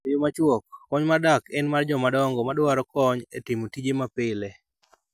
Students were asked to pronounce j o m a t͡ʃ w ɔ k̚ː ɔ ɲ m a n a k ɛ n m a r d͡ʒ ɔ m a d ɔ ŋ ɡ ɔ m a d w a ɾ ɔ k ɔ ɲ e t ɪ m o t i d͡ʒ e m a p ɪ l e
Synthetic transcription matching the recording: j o m a t͡ʃ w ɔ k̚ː ɔ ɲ m a d a k ɛ n m a r d͡ʒ ɔ m a d ɔ ŋ ɡ ɔ m a d w a ɾ ɔ k ɔ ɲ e t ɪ m o t i d͡ʒ e m a p ɪ l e